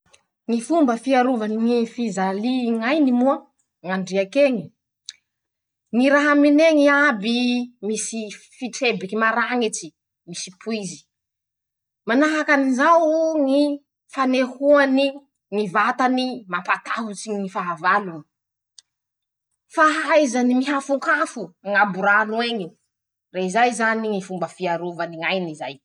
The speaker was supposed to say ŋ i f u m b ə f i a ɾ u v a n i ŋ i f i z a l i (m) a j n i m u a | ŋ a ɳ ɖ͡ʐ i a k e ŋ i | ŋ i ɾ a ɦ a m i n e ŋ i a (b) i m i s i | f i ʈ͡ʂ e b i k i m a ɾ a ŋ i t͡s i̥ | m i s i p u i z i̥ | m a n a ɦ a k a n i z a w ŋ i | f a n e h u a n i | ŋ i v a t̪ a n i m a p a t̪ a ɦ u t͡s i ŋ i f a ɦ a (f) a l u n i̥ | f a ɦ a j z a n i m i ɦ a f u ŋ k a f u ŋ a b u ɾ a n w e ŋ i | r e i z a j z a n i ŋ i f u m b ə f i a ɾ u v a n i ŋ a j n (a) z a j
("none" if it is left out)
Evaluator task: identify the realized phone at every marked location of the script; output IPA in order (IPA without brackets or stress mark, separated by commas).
ŋ, b, v, i